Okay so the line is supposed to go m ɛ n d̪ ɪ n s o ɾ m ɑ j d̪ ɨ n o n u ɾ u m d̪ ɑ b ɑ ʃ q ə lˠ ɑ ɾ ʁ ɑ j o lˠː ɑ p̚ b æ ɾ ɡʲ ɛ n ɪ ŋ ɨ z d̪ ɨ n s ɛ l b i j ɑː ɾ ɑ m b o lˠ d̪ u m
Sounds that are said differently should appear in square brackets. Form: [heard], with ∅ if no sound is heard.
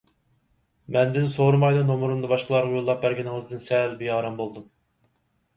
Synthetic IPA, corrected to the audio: m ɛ n d̪ ɪ n s o ɾ m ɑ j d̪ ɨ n o [m] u ɾ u m d̪ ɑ b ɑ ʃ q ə lˠ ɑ ɾ ʁ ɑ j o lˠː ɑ p̚ b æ ɾ ɡʲ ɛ n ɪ ŋ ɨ z d̪ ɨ n s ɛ l b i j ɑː ɾ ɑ m b o lˠ d̪ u m